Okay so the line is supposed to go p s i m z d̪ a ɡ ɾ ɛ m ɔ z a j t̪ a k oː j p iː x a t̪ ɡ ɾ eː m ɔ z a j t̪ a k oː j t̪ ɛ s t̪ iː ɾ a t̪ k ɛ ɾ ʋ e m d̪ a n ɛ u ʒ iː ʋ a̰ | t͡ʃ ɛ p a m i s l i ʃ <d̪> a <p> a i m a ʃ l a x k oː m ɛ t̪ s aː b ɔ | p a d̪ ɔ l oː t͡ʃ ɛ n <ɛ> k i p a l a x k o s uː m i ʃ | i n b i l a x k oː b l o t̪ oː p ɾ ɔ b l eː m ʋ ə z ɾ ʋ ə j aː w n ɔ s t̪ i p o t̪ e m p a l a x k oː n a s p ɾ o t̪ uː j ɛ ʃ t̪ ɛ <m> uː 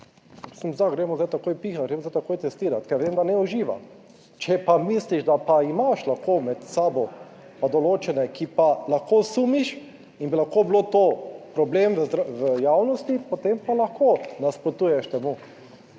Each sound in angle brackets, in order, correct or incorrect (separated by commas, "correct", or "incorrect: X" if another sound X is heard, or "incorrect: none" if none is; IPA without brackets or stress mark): correct, correct, correct, correct